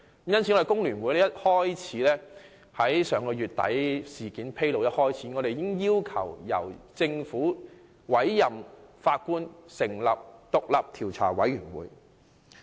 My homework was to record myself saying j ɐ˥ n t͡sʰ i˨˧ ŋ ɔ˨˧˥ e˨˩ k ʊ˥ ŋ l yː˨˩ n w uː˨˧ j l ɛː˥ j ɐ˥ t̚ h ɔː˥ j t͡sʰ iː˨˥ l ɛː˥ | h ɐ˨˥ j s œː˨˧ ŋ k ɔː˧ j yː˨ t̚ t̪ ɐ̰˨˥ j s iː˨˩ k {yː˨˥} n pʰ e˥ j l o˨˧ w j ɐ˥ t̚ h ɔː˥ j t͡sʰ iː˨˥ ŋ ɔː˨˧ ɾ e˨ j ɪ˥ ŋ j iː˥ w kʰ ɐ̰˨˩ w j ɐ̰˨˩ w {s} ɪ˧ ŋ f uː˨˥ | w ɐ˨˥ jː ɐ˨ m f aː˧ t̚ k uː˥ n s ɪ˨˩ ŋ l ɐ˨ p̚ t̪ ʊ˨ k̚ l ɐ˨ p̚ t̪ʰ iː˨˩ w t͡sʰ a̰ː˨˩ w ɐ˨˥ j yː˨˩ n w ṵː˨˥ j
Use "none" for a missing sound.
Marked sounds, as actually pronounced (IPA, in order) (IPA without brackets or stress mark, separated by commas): iː˨˥, t͡s